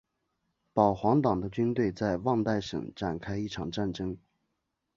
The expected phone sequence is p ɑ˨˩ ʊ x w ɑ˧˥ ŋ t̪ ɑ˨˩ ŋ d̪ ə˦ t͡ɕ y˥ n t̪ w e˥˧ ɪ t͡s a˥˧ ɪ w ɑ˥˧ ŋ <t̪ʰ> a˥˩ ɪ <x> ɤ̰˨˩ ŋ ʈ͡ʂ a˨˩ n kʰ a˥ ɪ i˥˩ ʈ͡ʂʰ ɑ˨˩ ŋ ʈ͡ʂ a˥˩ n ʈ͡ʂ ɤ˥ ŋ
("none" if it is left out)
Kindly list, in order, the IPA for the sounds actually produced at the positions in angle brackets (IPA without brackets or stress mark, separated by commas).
t̪, ʂ